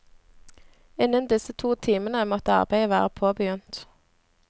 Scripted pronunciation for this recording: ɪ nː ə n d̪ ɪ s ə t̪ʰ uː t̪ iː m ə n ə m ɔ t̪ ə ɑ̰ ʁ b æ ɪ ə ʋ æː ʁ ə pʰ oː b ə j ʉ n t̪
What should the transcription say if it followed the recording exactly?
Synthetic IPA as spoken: ɪ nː ə n d̪ ɪ s ə t̪ʰ uː t̪ʰ iː m ə n ə m ɔ t̪ ə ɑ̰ ʁ b æ ɪ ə ʋ æː ʁ ə pʰ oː b ə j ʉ n t̪